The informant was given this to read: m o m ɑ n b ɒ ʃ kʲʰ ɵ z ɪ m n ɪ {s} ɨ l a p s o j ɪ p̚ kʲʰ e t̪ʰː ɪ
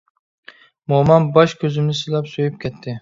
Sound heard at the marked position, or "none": s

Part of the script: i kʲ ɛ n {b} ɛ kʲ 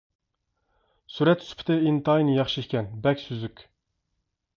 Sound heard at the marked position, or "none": b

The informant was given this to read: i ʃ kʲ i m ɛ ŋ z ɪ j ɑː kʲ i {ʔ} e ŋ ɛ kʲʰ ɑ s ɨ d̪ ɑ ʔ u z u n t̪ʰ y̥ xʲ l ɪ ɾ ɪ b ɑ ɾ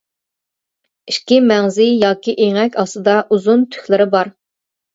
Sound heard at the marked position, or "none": ʔ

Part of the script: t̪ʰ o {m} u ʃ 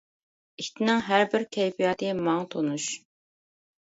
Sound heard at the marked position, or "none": n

